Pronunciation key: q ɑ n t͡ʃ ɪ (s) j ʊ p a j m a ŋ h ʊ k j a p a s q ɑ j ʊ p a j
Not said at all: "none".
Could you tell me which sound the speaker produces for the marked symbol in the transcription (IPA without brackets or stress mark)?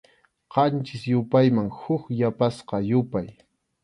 s